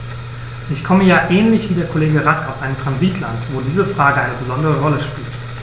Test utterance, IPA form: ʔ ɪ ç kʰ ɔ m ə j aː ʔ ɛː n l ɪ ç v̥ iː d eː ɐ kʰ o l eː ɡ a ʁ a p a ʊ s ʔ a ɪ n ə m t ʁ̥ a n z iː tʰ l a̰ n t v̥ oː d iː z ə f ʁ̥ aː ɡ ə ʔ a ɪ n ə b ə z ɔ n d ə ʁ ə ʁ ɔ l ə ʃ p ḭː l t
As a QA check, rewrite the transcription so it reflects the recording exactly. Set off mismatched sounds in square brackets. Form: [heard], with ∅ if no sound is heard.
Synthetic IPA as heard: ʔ ɪ ç kʰ ɔ m ə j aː ʔ ɛː n l ɪ ç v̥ iː d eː ɐ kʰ o l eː ɡ [ə] ʁ a [k] a ʊ s ʔ a ɪ n ə m t ʁ̥ a n z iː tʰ l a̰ n t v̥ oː d iː z ə f ʁ̥ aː ɡ ə ʔ a ɪ n ə b ə z ɔ n d ə ʁ ə ʁ ɔ l ə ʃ p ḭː l t